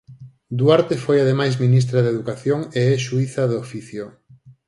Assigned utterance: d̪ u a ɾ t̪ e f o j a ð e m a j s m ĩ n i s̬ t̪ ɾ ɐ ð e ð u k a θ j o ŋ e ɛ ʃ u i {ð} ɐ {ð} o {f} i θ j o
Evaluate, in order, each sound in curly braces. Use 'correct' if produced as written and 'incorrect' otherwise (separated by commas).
incorrect, correct, correct